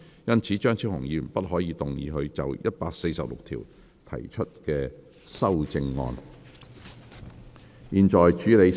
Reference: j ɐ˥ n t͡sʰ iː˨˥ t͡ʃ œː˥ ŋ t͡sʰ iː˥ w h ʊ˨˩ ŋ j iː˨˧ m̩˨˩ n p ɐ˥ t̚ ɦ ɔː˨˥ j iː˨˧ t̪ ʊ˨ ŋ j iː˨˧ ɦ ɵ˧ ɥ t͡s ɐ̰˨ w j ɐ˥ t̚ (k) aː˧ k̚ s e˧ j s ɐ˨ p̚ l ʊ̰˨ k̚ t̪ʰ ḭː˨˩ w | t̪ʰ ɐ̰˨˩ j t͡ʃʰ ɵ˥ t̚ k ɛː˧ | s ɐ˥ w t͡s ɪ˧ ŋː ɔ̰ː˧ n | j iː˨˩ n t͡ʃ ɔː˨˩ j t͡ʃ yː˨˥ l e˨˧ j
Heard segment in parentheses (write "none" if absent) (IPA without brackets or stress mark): p